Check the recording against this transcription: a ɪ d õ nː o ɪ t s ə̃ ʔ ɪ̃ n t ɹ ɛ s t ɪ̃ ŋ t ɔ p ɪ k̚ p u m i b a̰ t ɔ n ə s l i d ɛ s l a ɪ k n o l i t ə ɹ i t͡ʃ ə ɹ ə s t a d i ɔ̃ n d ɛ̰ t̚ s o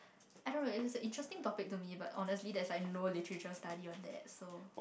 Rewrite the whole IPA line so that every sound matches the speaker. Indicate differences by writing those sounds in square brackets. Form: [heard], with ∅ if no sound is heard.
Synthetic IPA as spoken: a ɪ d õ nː o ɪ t s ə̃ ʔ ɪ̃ n t ɹ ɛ s t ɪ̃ ŋ t ɔ p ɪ k̚ [t] u m i b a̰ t ɔ n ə s l i d ɛ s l a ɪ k n o l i t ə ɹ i t͡ʃ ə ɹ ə s t a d i ɔ̃ n d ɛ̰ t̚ s o